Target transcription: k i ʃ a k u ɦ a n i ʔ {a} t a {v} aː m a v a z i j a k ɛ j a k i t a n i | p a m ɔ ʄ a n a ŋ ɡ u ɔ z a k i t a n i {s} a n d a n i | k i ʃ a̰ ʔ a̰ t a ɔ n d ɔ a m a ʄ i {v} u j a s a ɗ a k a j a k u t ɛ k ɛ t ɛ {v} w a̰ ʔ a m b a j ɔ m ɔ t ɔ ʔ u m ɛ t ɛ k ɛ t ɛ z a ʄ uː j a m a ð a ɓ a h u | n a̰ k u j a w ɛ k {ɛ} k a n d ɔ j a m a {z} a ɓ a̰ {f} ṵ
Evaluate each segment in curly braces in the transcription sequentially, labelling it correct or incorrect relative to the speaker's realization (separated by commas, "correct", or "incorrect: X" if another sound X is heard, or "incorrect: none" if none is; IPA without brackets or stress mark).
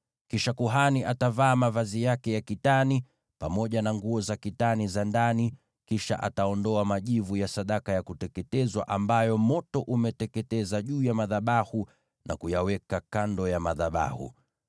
correct, correct, incorrect: z, correct, incorrect: z, incorrect: a, incorrect: ð, incorrect: h